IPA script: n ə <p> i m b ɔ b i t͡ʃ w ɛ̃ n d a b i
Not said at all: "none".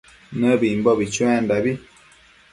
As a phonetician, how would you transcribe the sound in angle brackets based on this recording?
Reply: b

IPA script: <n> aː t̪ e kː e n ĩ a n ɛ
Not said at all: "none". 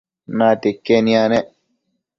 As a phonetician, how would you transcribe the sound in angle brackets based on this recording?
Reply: n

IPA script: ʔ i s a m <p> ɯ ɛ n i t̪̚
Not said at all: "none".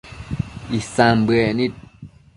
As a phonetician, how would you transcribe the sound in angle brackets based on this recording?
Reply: b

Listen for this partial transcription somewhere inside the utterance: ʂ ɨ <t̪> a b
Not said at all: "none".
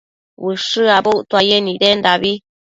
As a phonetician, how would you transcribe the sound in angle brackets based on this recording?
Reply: none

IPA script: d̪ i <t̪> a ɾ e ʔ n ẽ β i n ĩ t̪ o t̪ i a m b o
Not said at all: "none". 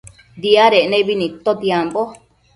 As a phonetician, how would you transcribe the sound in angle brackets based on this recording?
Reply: none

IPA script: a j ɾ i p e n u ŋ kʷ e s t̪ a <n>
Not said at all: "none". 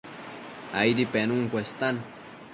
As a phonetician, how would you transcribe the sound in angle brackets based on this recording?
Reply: n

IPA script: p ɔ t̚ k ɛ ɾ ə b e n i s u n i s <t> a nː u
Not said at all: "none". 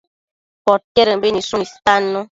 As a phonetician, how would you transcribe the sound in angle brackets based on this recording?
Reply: t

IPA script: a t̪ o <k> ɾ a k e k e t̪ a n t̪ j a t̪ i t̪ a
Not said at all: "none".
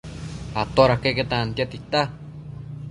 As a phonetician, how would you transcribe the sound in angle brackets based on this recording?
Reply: none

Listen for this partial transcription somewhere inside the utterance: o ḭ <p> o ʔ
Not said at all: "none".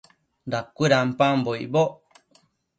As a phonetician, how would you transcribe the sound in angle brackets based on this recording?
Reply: b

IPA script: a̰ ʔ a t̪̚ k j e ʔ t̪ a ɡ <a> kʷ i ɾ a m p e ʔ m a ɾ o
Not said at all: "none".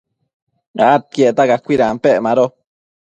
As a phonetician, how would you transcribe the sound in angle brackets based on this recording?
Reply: a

